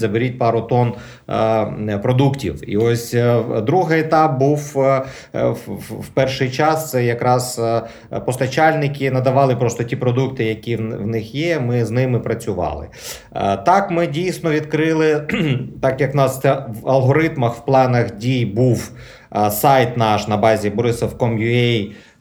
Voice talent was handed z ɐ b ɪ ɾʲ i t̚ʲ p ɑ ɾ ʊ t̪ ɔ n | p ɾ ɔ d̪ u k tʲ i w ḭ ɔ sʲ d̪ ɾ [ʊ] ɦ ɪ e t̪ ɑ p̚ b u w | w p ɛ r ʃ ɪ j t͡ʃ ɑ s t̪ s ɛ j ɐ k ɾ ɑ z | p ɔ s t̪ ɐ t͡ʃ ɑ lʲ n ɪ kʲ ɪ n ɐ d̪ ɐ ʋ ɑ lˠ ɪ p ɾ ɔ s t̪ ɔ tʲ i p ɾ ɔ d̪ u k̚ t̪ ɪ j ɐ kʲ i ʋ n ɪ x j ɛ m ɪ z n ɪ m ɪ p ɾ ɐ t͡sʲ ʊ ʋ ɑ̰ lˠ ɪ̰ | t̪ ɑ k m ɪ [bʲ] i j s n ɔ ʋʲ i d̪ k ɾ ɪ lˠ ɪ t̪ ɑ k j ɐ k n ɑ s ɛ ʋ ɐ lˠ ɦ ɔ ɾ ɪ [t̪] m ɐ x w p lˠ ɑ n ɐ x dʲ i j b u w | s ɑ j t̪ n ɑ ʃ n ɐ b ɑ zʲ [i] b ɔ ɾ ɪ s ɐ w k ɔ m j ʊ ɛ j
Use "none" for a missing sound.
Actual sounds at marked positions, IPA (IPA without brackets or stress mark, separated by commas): u, dʲ, t̪, i